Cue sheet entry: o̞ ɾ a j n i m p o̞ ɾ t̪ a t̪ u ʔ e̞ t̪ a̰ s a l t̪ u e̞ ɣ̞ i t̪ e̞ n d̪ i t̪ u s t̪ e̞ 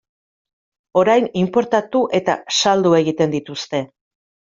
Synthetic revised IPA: o̞ ɾ a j n i m p o̞ ɾ t̪ a t̪ u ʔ e̞ t̪ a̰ s a l d̪ u e̞ ɣ̞ i t̪ e̞ n d̪ i t̪ u s t̪ e̞